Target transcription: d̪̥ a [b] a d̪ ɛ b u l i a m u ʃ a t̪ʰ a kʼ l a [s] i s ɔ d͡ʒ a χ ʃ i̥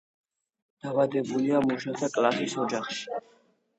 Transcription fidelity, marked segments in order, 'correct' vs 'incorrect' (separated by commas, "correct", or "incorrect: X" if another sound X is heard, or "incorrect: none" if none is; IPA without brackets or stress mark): incorrect: v, correct